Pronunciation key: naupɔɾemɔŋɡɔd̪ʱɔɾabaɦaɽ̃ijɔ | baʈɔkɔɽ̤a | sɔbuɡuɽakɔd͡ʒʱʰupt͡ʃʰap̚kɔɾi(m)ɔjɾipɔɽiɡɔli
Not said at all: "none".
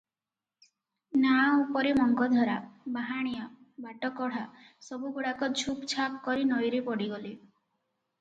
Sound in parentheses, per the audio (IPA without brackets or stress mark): n